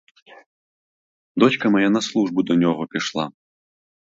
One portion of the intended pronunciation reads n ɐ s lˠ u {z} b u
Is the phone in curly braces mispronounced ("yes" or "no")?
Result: yes